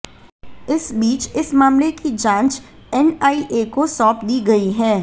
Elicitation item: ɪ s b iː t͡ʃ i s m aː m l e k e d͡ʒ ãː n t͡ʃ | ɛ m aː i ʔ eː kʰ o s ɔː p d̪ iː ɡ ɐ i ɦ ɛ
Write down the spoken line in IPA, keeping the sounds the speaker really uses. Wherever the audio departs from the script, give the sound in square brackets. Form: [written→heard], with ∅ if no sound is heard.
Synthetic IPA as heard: ɪ s b iː t͡ʃ [i→ɪ] s m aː m l e k [e→i] d͡ʒ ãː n t͡ʃ | ɛ [m→n] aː i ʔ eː [kʰ→k] o s ɔː p d̪ iː ɡ ɐ i ɦ [ɛ→ɛː]